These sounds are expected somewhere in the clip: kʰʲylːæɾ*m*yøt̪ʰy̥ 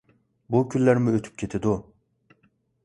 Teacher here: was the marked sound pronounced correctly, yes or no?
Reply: yes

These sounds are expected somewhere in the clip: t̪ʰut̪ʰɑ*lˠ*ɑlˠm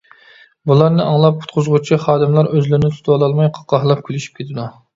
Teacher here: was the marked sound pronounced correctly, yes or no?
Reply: yes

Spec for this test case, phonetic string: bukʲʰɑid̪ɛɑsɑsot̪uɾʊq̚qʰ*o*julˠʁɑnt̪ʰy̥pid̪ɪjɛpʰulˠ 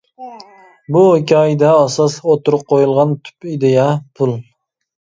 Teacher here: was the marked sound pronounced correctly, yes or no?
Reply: yes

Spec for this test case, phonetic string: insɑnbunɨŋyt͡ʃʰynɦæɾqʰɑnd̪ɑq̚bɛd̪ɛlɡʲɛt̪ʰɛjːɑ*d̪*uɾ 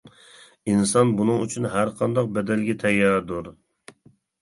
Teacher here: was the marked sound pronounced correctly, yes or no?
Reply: yes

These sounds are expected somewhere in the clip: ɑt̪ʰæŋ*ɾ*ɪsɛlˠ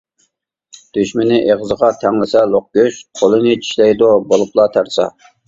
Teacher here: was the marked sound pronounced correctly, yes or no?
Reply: no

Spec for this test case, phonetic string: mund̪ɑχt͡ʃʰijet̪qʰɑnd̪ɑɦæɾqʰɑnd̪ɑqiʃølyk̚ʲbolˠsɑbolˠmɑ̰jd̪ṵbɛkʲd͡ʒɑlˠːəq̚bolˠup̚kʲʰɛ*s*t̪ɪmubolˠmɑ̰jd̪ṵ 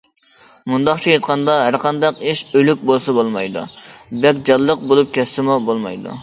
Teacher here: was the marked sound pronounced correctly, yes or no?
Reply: yes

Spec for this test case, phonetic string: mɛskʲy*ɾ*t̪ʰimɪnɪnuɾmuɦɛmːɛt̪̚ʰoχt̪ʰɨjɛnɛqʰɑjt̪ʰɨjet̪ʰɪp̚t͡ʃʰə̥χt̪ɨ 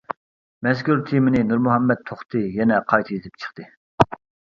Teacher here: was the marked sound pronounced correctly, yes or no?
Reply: yes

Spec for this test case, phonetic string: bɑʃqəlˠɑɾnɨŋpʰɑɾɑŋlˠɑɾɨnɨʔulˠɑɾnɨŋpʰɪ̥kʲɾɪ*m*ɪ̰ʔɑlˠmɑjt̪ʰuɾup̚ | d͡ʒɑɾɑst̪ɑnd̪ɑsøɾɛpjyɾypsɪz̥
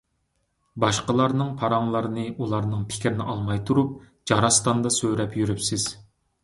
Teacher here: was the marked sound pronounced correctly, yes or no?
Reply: no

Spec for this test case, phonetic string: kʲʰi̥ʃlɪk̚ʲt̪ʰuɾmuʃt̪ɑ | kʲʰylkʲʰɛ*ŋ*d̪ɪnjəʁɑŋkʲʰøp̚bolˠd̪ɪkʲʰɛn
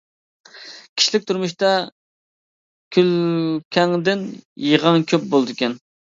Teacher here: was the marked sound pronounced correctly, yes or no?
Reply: yes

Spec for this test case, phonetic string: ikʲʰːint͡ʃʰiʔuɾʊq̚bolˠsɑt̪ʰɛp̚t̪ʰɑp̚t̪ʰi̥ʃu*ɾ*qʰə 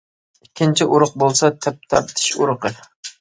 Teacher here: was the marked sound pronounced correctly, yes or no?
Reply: yes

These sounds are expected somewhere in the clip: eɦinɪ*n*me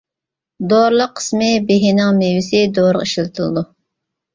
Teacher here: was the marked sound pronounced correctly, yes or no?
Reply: no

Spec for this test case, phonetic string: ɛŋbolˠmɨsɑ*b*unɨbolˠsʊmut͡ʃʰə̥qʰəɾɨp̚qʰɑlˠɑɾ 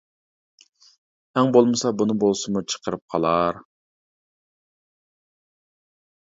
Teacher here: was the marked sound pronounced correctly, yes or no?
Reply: yes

